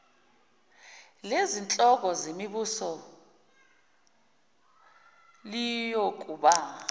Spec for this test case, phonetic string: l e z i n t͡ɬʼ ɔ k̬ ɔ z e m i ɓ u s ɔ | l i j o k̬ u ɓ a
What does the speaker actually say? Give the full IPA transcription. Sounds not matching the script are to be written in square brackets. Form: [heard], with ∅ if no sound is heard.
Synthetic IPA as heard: l e z i n t͡ɬʼ ɔ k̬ ɔ z e m i ɓ u s ɔ | l i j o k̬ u ɓ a

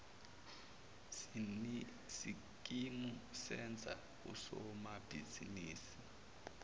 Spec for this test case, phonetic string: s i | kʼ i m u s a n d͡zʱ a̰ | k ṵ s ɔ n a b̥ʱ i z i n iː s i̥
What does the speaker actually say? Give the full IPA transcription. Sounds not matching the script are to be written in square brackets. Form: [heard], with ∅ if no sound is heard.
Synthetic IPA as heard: s i | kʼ i m u s [ɛ] n d͡zʱ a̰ | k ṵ s ɔ [m] a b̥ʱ i z i n iː s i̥

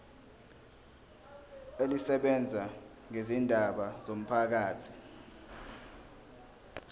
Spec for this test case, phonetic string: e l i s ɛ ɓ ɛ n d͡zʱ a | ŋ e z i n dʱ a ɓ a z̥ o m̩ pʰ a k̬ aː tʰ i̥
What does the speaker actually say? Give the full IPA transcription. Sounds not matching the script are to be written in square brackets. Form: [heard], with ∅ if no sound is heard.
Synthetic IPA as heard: e l i s ɛ ɓ ɛ n d͡zʱ a | ŋ e z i n dʱ a ɓ a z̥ o m̩ pʰ a k̬ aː tʰ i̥

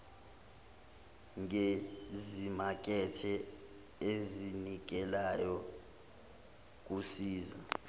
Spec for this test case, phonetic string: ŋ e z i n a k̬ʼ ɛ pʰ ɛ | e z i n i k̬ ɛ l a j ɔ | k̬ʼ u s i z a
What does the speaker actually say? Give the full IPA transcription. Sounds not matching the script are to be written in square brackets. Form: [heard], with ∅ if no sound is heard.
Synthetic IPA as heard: ŋ e z i [m] a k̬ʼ ɛ [tʰ] ɛ | e z i n i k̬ ɛ l a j ɔ | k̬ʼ u s [iː] z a

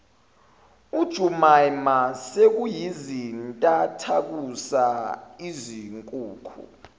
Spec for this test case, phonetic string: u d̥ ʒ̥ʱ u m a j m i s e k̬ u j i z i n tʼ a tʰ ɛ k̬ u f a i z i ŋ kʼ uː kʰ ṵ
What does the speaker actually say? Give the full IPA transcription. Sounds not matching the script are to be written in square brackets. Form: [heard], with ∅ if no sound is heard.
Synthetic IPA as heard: u d̥ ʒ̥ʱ u m a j m [a] s e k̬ u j i z i n tʼ a tʰ [a] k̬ u [s] a i z i ŋ kʼ uː kʰ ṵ

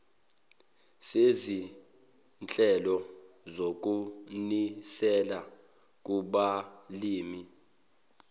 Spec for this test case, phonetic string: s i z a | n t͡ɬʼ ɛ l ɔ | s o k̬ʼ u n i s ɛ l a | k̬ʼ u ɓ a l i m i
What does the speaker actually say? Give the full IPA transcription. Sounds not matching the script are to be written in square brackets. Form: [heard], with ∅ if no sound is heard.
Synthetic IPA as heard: s [e] z [i] | n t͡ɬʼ ɛ l ɔ | [z] o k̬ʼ u n i s ɛ l a | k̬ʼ u ɓ a l [iː] m i

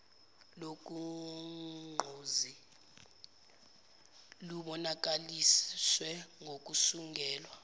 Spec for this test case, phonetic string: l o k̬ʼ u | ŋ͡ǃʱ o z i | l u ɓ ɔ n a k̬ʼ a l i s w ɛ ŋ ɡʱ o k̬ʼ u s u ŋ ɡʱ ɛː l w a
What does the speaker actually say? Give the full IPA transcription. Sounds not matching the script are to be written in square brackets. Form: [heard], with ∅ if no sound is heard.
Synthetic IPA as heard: l o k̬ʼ u | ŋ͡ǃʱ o z i | l u ɓ ɔ n a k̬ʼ a l i s w ɛ ŋ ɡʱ o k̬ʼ u s u ŋ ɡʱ ɛː l w a

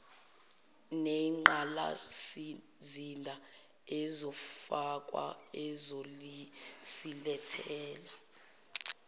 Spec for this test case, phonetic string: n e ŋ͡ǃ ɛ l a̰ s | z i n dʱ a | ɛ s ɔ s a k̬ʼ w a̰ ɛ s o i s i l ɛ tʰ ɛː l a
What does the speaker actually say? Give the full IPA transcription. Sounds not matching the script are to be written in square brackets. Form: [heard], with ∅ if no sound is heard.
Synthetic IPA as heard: n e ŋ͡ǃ [a] l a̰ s | z i n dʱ a | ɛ [z] ɔ [f] a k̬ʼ w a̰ ɛ [z] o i s i l ɛ tʰ ɛː l a

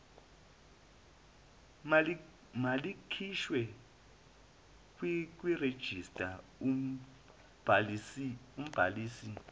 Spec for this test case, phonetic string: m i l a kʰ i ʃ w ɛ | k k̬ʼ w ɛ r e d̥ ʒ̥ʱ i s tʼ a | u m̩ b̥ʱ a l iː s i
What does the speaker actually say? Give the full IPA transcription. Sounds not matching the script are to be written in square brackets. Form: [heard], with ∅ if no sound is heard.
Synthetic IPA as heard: m [a] l [i] kʰ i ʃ w ɛ | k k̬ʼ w [i] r e d̥ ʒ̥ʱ i s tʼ a | u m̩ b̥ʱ a l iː s i

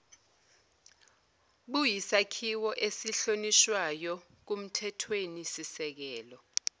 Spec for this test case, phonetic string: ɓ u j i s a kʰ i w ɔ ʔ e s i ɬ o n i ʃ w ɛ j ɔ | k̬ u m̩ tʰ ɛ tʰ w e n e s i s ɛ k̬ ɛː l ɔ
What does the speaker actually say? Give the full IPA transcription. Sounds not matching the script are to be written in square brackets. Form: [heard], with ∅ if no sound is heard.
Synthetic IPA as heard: ɓ u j i s a kʰ i w ɔ ʔ e s i ɬ o n i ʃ w [a] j ɔ | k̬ u m̩ tʰ ɛ tʰ w e n [i] s i s ɛ k̬ ɛː l ɔ

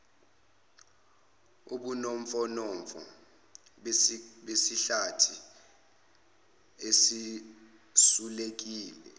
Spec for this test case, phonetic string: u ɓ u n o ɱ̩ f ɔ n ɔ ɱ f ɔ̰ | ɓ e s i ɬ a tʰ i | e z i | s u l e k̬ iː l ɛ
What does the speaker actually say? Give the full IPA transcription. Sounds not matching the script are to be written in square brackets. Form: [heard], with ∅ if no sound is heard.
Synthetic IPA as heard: u ɓ u n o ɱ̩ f ɔ n ɔ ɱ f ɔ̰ | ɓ e s i ɬ a tʰ i | e [s] i | s u l e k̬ iː l ɛ

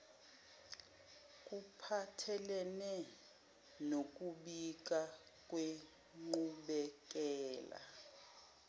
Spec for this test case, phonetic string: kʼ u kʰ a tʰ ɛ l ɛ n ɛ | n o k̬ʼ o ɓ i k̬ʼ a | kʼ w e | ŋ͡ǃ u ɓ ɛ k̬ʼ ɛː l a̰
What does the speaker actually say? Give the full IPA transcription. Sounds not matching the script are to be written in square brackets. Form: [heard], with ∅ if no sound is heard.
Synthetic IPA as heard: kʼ u [pʰ] a tʰ ɛ l ɛ n ɛ | n o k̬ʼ [u] ɓ i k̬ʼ a | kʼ w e | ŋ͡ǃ u ɓ ɛ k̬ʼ ɛː l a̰

